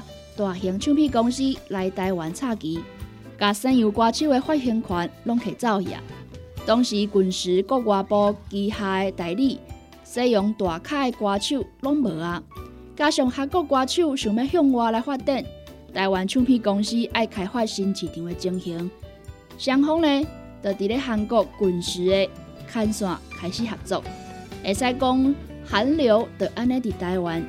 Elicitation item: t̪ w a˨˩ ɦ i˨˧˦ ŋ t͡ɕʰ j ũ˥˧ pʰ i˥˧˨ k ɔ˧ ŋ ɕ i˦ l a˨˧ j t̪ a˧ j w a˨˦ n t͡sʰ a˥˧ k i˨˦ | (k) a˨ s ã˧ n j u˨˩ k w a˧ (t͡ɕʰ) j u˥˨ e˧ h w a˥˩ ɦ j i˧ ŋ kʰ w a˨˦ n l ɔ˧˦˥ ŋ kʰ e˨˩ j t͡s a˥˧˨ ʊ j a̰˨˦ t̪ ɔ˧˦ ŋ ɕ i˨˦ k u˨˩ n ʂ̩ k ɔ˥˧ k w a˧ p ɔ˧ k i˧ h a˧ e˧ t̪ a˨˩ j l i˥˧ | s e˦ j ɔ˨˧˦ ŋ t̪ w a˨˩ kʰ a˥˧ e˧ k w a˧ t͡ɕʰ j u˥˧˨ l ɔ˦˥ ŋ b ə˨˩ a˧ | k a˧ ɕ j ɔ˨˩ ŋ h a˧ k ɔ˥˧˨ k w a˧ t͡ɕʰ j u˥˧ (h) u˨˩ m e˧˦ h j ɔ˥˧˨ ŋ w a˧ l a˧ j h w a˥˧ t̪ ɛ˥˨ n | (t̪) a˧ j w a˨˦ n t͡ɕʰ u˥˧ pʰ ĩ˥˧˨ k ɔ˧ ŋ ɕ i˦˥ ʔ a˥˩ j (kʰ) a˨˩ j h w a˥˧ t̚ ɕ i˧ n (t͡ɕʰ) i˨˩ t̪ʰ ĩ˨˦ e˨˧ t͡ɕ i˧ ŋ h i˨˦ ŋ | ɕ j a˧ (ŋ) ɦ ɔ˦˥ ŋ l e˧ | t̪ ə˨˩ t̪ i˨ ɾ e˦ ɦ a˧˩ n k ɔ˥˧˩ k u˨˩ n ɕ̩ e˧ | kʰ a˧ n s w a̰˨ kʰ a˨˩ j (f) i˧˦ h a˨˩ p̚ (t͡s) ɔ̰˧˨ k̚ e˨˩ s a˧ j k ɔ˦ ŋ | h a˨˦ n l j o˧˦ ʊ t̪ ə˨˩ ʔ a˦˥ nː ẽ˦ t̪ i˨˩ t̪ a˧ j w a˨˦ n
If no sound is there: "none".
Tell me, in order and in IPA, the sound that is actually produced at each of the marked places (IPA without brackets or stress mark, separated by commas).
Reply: k, t͡ɕʰ, ɕ, t̪, kʰ, t͡ɕʰ, ŋ, ɕ, t͡s